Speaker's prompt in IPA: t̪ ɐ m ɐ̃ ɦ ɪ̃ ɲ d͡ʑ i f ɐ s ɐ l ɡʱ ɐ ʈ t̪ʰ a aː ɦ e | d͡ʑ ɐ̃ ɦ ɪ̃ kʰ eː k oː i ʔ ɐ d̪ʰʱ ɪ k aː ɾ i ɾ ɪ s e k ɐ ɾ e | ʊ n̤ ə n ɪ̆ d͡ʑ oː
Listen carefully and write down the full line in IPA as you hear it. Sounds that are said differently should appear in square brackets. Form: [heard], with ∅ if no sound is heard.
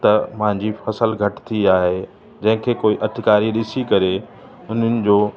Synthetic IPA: t̪ ɐ m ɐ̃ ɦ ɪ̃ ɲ d͡ʑ i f ɐ s [ə] l ɡʱ ɐ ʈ t̪ʰ [i] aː ɦ e | d͡ʑ ɐ̃ ɦ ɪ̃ kʰ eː k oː i ʔ ɐ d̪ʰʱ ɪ k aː ɾ i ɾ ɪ s [i] k ɐ ɾ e | ʊ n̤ ə n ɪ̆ d͡ʑ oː